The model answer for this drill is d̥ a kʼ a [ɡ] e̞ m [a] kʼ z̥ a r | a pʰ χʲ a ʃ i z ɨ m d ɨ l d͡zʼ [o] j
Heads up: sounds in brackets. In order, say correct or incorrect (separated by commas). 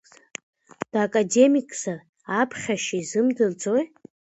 incorrect, incorrect, correct